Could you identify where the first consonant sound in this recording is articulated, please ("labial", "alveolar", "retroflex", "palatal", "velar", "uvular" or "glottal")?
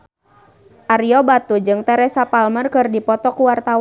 glottal